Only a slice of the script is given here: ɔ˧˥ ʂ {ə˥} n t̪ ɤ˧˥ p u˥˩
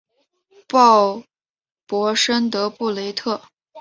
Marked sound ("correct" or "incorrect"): correct